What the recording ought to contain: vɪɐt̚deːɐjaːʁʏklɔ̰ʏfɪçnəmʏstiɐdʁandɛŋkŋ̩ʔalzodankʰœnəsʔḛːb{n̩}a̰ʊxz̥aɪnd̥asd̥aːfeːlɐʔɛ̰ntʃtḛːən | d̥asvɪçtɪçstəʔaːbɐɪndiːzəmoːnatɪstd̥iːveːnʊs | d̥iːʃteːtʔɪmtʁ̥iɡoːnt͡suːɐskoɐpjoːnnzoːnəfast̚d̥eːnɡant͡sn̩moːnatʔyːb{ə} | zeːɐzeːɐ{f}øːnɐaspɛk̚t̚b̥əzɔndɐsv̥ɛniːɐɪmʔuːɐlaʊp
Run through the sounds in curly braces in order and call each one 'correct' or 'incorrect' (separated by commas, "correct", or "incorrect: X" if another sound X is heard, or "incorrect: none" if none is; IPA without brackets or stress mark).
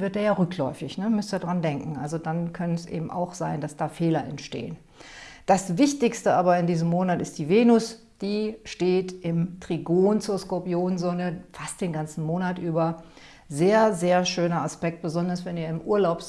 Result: incorrect: m̩, incorrect: ɐ, incorrect: ʃ